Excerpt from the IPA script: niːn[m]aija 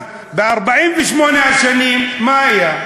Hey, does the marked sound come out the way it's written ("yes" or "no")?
yes